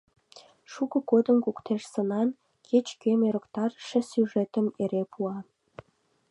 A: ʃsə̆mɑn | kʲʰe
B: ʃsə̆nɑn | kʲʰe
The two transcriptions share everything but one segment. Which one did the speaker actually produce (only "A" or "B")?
B